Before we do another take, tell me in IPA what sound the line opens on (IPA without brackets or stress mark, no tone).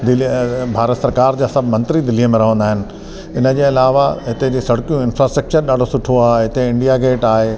d̪